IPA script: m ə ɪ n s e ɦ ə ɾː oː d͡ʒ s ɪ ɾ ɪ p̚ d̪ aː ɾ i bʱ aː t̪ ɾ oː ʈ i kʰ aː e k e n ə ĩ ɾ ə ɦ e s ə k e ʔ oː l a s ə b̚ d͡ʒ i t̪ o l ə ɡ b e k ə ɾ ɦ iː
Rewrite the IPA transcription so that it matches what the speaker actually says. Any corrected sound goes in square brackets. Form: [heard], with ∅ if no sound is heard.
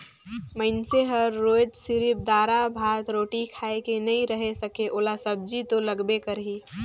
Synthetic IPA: m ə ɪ n s e ɦ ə ɾː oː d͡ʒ s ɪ ɾ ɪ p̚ d̪ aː ɾ [a] bʱ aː t̪ ɾ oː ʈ i kʰ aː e k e n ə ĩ ɾ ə ɦ e s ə k e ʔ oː l a s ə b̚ d͡ʒ i t̪ o l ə ɡ b e k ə ɾ ɦ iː

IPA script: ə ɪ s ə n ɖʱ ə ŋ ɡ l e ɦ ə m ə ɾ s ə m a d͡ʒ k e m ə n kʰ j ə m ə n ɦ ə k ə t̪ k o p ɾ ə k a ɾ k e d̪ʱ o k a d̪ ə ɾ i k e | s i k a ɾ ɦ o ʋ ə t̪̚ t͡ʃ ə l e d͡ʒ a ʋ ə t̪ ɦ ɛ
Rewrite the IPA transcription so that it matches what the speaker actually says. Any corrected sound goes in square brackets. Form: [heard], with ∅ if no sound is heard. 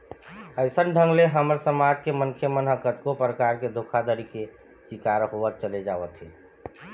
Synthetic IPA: ə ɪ s ə n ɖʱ ə ŋ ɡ l e ɦ ə m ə ɾ s ə m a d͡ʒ k e m ə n kʰ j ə m ə n ɦ ə k ə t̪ k o p ɾ ə k a ɾ k e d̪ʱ o [kʰ] a d̪ ə ɾ i k e | s i k a ɾ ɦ o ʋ ə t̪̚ t͡ʃ ə l e d͡ʒ a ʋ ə t̪ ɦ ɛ

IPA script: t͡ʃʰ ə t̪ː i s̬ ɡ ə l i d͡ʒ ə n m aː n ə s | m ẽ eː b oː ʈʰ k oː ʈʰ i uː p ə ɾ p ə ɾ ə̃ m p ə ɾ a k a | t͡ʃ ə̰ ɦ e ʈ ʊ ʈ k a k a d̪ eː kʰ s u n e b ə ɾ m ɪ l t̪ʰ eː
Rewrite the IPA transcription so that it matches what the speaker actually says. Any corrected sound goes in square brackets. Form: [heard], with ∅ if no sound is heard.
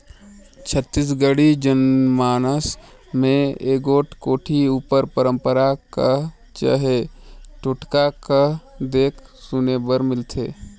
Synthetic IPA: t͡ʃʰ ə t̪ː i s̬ ɡ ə [ɽ] i d͡ʒ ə n m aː n ə s | m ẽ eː [ɡ] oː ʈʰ k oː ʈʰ i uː p ə ɾ p ə ɾ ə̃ m p ə ɾ a k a | t͡ʃ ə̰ ɦ e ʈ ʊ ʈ k a k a d̪ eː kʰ s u n e b ə ɾ m ɪ l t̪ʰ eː

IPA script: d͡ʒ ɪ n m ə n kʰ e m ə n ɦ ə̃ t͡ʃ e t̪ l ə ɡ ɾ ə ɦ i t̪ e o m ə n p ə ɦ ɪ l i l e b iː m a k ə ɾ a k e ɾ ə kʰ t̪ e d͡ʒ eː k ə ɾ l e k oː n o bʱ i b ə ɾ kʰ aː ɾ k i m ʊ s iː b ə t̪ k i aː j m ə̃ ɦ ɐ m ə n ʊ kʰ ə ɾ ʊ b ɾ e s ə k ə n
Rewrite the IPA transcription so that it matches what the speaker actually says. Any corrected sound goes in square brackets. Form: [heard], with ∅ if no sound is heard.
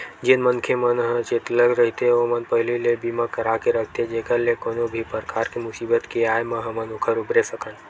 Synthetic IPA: d͡ʒ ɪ n m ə n kʰ e m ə n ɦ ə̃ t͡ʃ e t̪ l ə ɡ ɾ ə ɦ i t̪ e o m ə n p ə ɦ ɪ l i l e b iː m a k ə ɾ a k e ɾ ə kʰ t̪ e d͡ʒ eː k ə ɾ l e k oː n o bʱ i [p] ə ɾ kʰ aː ɾ k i m ʊ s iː b ə t̪ k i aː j m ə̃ ɦ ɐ m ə n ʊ kʰ ə ɾ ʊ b ɾ e s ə k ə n

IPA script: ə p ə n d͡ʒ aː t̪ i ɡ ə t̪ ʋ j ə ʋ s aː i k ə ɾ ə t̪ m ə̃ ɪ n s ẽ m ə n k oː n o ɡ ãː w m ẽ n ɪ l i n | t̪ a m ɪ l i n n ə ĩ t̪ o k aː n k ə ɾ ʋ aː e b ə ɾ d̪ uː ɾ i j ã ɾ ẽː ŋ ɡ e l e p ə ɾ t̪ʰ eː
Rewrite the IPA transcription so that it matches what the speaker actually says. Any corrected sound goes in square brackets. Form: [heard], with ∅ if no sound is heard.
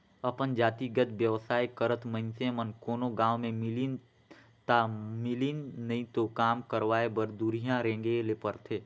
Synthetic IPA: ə p ə n d͡ʒ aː t̪ i ɡ ə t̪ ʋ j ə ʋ s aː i k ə ɾ ə t̪ m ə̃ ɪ n s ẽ m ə n k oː n o ɡ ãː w m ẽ [m] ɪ l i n | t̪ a m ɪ l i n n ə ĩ t̪ o k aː [m] k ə ɾ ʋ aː e b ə ɾ d̪ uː ɾ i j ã ɾ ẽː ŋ ɡ e l e p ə ɾ t̪ʰ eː

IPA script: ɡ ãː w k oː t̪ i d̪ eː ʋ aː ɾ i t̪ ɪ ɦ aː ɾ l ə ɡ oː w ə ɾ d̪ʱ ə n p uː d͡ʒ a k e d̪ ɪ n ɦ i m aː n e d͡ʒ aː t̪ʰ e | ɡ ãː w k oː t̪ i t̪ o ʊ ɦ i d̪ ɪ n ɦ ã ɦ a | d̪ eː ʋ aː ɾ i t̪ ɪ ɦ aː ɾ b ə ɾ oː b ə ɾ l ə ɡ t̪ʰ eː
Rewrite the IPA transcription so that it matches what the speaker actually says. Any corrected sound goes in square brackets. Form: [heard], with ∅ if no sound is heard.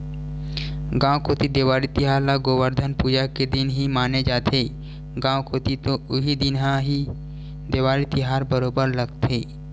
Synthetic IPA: ɡ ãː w k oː t̪ i d̪ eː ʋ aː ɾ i t̪ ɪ ɦ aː ɾ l [a] ɡ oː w ə ɾ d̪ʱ ə n p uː d͡ʒ a k e d̪ ɪ n ɦ i m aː n e d͡ʒ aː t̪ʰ e | ɡ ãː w k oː t̪ i t̪ o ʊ ɦ i d̪ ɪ n ɦ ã ɦ [i] | d̪ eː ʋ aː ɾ i t̪ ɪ ɦ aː ɾ b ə ɾ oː b ə ɾ l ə ɡ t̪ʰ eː

